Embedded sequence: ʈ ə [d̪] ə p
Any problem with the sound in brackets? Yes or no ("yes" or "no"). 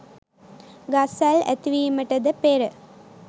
no